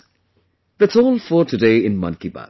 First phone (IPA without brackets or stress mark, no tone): ð